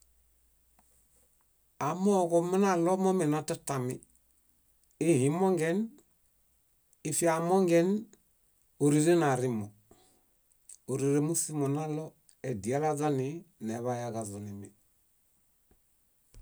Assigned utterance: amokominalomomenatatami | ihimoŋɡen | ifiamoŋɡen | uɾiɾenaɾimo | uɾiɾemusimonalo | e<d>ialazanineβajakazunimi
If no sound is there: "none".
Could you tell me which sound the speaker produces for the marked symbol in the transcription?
d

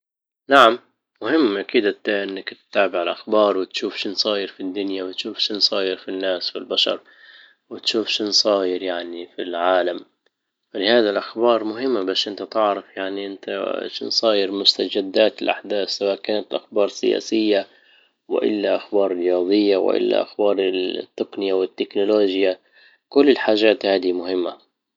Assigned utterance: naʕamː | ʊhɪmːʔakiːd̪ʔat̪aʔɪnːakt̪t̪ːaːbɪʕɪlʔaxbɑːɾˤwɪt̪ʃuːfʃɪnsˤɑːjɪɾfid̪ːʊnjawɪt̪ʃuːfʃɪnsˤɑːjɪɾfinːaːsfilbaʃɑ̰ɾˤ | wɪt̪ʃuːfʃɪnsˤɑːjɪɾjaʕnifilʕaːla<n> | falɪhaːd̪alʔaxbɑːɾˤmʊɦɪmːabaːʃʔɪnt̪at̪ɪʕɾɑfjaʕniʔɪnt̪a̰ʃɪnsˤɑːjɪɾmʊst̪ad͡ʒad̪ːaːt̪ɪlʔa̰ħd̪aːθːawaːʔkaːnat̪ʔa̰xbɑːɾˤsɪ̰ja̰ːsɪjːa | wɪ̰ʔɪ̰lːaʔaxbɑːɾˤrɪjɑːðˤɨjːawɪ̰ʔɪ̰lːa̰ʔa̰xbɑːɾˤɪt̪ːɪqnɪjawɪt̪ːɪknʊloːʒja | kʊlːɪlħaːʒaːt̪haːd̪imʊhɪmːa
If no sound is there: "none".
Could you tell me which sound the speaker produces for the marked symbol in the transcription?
m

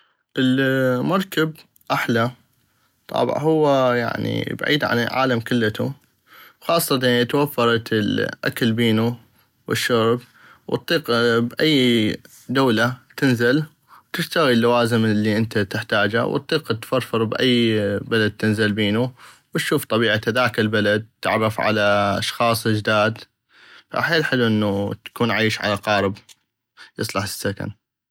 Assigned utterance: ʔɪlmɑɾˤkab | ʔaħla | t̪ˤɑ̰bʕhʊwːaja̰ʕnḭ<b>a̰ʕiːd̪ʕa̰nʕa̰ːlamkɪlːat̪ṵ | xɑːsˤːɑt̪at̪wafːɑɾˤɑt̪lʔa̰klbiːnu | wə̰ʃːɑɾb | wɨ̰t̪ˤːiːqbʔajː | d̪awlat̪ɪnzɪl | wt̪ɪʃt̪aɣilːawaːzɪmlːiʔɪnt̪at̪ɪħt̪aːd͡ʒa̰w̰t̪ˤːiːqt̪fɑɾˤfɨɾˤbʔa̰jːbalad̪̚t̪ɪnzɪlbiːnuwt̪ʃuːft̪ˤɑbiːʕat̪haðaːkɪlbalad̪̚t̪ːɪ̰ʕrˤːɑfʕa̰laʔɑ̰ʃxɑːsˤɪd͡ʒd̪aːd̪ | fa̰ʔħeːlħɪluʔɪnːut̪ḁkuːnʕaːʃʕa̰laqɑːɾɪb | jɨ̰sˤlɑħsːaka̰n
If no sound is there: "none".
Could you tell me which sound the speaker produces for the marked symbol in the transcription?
b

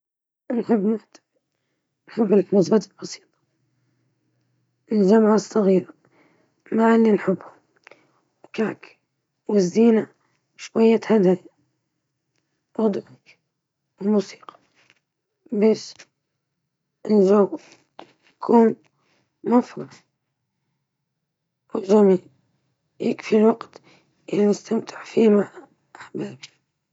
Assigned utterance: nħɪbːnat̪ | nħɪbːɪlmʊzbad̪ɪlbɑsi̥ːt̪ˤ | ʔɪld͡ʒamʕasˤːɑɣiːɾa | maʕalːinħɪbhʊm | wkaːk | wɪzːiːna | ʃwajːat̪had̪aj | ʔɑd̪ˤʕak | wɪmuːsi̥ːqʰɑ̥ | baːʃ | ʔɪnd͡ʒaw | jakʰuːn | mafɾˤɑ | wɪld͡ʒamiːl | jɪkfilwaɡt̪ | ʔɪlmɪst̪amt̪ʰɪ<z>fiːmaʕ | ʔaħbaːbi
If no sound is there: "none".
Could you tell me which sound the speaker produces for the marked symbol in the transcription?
ʕ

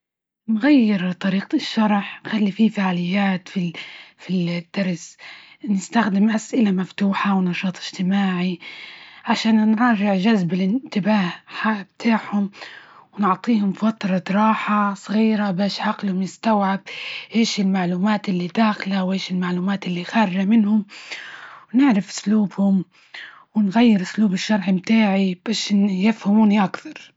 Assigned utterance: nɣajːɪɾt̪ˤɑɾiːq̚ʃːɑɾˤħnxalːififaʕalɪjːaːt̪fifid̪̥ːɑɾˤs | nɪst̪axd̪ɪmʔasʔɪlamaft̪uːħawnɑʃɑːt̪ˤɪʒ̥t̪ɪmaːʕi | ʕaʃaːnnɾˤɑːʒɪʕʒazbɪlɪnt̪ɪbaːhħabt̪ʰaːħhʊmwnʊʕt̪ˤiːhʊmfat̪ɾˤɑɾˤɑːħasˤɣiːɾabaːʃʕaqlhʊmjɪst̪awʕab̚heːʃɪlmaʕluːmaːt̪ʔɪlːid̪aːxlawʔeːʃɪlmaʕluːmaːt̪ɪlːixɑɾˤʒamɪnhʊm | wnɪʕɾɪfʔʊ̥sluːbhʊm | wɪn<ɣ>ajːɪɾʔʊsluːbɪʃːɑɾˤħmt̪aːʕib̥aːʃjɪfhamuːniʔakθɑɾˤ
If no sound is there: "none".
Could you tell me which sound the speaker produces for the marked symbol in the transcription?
ɣ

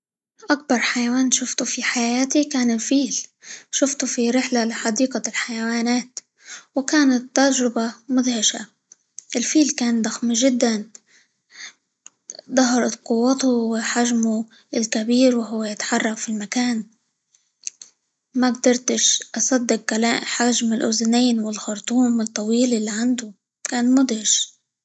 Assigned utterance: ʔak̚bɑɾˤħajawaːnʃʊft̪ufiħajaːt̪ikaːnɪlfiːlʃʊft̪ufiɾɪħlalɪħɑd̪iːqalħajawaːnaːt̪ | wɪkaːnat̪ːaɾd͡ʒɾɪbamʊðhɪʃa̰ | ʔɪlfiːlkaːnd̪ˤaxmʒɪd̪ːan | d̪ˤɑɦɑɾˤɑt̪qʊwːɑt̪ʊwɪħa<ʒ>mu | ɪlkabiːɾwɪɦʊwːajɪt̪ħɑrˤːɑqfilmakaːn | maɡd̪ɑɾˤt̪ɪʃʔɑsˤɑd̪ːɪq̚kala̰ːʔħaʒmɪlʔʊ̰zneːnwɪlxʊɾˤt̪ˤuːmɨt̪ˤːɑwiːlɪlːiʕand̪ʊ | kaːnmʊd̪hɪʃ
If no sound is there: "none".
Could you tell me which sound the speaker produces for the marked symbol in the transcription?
ʒ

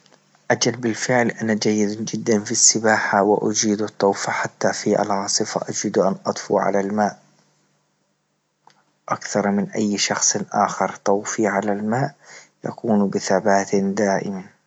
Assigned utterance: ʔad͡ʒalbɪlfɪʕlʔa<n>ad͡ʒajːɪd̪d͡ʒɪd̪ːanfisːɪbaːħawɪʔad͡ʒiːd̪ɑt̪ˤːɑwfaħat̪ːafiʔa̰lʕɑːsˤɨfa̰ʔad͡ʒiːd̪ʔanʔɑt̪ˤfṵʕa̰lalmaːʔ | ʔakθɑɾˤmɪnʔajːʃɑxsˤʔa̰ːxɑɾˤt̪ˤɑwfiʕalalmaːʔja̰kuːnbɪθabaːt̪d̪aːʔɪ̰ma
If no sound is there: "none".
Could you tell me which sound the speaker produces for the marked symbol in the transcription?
n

